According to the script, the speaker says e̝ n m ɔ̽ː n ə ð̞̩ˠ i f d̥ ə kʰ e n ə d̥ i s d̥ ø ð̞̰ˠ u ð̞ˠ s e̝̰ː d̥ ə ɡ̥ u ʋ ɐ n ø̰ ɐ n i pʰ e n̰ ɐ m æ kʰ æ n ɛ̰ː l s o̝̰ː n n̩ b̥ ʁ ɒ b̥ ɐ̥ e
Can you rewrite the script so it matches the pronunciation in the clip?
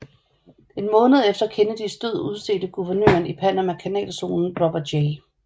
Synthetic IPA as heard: e̝ n m ɔ̽ː n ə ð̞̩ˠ e f d̥ ɐ kʰ e n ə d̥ i s d̥ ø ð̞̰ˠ u ð̞ˠ s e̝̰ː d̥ ə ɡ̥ u ʋ ɐ n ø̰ ɐ n i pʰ æ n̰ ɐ m æ kʰ æ n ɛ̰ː l s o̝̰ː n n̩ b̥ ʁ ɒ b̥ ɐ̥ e